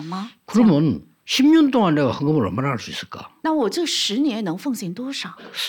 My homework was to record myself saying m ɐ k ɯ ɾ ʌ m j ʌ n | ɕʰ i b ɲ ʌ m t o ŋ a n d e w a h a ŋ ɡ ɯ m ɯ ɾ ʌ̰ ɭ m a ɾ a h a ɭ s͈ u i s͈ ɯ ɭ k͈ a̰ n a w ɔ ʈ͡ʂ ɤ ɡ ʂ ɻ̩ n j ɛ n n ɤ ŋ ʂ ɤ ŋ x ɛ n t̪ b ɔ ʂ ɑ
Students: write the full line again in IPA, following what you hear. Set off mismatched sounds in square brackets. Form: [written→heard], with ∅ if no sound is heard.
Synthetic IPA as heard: m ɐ k ɯ ɾ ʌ m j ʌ n | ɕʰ i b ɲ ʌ [m→n] t o ŋ a n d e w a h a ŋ ɡ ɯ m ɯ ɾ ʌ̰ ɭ m a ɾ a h a ɭ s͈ u i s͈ ɯ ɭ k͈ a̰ n a w ɔ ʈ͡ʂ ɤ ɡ ʂ ɻ̩ n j ɛ n n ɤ ŋ [ʂ→f] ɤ ŋ [x→ɕ] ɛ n t̪ [b→w] ɔ ʂ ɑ